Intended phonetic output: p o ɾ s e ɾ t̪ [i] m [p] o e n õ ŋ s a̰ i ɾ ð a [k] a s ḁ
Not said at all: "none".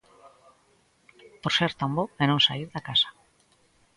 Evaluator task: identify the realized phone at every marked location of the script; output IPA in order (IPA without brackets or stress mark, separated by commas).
a, b, k